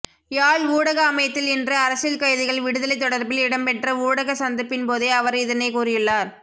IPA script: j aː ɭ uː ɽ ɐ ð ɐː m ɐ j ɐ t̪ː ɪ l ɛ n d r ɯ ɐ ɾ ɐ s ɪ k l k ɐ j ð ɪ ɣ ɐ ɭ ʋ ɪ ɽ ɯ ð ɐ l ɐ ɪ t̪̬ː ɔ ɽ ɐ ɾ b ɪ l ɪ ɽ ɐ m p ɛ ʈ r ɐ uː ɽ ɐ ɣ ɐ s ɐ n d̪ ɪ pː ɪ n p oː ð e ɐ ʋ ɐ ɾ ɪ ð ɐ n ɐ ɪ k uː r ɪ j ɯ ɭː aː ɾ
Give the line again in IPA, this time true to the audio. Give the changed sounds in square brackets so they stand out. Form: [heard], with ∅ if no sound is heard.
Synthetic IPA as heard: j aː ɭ uː ɽ ɐ [ɣ] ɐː m ɐ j ɐ t̪ː ɪ l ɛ n d r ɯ ɐ ɾ ɐ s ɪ [∅] l k ɐ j ð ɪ ɣ ɐ ɭ ʋ ɪ ɽ ɯ ð ɐ l ɐ ɪ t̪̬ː ɔ ɽ ɐ ɾ b ɪ l ɪ ɽ ɐ m p ɛ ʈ r ɐ uː ɽ ɐ ɣ ɐ s ɐ n d̪ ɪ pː ɪ n p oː ð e ɐ ʋ ɐ ɾ ɪ ð ɐ n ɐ ɪ k uː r ɪ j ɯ ɭː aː ɾ